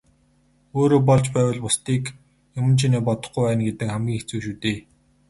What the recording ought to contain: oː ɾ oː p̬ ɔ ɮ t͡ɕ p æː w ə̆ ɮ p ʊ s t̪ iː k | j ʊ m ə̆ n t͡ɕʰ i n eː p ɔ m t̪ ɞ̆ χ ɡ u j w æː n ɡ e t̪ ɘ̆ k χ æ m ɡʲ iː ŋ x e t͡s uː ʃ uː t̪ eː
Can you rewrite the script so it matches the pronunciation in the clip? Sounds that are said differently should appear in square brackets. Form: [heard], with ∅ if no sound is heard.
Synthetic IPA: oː ɾ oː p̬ ɔ ɮ t͡ɕ p æː w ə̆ ɮ p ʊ s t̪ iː k | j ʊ m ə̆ n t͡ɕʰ i n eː p ɔ [∅] t̪ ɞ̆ χ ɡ u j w æː n ɡ e t̪ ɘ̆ k χ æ m ɡʲ iː ŋ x e t͡s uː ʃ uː t̪ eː